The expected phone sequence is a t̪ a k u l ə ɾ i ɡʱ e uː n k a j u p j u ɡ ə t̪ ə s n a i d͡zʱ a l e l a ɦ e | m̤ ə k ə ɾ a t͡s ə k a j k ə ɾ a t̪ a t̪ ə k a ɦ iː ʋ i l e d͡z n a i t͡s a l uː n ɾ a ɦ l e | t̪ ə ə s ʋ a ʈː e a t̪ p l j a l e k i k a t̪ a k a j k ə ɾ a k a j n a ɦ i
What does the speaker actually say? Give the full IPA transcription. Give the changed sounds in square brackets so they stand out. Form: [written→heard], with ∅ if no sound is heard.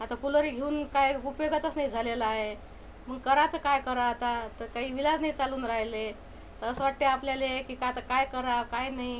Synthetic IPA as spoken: a t̪ a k u l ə ɾ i ɡʱ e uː n k a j u p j [u→o] ɡ ə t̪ ə s n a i d͡zʱ a l e l a ɦ e | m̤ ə k ə ɾ a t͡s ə k a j k ə ɾ a t̪ a t̪ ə k a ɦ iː ʋ i l [e→a] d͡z n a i t͡s a l uː n ɾ a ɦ l e | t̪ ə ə s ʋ a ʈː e a [t̪→∅] p l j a l e k i k a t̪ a k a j k ə ɾ a k a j n a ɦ i